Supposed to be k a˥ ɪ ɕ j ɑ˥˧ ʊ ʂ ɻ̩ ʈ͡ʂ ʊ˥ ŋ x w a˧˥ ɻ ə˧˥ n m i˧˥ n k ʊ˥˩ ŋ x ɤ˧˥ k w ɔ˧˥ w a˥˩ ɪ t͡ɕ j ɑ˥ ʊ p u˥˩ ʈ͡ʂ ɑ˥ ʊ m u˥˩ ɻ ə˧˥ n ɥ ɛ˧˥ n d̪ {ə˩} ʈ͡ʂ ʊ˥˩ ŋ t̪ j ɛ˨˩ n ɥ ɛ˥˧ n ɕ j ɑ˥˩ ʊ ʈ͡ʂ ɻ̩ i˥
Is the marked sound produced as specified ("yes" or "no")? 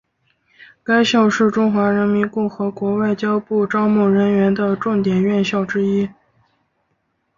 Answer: no